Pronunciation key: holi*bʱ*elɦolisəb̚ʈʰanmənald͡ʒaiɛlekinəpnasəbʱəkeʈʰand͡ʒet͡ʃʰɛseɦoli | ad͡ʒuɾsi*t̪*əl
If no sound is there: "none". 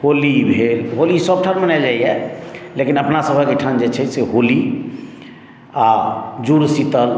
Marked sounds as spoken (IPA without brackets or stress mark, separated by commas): bʱ, t̪